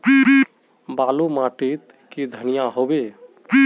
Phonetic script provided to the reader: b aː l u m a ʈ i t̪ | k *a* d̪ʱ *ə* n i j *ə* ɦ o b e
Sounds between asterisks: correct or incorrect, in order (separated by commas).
incorrect, correct, incorrect